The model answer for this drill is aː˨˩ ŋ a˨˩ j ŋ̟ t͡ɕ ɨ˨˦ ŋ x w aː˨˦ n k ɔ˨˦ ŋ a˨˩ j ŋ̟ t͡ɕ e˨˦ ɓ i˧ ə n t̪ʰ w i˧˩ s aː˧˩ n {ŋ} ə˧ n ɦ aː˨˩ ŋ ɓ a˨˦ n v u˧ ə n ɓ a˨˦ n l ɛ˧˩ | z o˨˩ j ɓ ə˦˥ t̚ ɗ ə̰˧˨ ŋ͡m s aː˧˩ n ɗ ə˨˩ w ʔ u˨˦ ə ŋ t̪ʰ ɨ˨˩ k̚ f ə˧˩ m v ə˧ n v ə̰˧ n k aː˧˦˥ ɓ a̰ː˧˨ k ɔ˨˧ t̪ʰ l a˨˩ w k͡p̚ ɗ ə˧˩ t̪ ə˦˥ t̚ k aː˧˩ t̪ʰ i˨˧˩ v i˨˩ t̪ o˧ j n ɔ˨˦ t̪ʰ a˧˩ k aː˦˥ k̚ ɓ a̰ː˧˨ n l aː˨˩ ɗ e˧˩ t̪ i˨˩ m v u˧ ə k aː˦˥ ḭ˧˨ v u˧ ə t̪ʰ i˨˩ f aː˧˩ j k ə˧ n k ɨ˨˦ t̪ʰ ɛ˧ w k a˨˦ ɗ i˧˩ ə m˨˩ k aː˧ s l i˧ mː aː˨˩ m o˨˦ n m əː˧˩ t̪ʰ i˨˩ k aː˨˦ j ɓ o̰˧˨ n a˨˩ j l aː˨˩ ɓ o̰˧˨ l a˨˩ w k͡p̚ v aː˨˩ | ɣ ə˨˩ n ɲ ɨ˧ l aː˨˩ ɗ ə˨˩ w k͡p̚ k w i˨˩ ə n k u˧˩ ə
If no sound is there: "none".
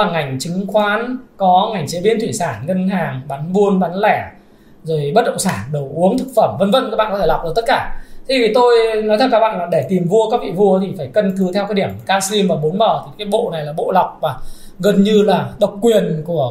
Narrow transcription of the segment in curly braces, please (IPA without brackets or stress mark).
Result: ŋ